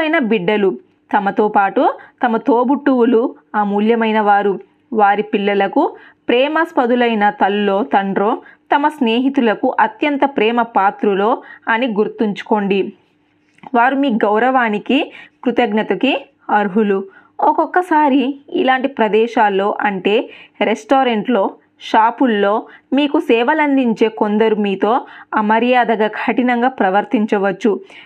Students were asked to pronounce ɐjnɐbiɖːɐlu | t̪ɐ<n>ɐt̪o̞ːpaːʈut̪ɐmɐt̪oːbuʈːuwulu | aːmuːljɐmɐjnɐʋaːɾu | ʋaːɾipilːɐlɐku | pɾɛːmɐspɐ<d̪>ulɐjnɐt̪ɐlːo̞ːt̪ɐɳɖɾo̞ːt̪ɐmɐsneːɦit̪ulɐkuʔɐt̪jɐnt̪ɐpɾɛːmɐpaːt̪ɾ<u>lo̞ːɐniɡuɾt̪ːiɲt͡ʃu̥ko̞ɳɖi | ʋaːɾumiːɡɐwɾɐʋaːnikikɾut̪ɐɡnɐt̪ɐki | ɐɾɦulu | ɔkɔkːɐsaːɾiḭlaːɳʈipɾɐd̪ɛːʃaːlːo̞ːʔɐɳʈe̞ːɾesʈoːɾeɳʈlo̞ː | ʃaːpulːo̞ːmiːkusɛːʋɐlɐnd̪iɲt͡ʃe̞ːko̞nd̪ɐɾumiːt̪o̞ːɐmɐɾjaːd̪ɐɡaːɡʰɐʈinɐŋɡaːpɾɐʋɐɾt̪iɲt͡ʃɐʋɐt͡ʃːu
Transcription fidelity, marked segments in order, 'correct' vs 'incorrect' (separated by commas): incorrect, correct, correct